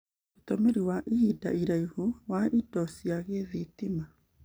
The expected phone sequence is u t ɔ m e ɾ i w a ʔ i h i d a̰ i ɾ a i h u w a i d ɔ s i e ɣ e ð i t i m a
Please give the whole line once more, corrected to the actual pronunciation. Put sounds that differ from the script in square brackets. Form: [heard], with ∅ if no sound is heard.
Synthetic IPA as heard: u t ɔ m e ɾ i w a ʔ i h i d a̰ i ɾ a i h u w a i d ɔ s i [a] ɣ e ð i t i m a